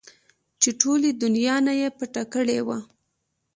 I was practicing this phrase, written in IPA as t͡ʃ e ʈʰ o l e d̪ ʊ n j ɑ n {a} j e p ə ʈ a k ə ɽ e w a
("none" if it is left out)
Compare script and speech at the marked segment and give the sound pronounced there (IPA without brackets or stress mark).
a